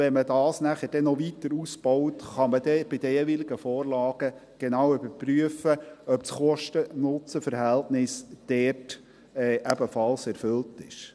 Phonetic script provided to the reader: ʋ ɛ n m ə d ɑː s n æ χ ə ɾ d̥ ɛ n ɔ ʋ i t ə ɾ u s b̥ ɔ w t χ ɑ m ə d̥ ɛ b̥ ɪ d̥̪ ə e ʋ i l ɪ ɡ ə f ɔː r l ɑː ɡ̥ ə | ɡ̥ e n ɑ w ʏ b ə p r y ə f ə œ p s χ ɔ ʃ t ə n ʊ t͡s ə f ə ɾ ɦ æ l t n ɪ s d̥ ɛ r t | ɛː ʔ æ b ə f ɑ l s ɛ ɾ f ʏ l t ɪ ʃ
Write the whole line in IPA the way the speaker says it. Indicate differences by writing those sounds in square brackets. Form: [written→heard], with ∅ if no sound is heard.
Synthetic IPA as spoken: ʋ ɛ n m ə d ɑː s n æ χ ə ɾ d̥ ɛ n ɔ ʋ i t ə ɾ u s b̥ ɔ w t χ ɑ m ə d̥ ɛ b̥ ɪ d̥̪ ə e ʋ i l ɪ ɡ ə f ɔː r l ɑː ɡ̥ ə | ɡ̥ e n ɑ w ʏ b ə p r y ə f ə œ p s χ ɔ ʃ t ə n ʊ t͡s ə f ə ɾ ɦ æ l t n ɪ s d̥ ɛ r t | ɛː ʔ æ b ə f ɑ l s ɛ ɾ f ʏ l t ɪ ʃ